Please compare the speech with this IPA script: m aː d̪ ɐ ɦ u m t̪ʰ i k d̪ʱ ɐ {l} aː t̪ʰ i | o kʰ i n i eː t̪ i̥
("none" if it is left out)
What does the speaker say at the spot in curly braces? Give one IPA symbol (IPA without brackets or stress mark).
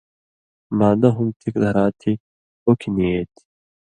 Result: ɾ